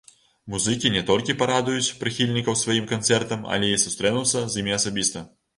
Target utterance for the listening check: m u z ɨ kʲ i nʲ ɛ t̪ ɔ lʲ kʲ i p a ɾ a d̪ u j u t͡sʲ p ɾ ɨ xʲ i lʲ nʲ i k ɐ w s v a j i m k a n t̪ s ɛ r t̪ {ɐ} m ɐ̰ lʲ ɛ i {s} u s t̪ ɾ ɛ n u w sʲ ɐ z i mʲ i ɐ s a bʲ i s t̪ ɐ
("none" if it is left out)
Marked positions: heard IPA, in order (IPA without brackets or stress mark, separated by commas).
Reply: ɐ, s